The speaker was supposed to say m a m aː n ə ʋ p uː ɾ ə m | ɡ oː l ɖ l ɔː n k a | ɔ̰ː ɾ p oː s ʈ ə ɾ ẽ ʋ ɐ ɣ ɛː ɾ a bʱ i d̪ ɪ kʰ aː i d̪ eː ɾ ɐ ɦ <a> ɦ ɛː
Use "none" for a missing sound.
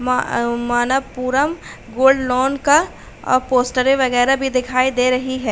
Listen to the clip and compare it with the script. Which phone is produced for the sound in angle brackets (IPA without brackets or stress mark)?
i